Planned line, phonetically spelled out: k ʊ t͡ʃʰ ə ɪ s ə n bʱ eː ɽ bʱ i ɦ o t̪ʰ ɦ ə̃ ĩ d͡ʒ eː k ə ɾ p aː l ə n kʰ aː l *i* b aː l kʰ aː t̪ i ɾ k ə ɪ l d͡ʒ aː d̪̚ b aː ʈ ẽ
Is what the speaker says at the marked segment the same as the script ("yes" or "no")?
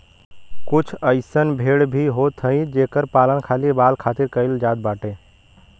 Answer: yes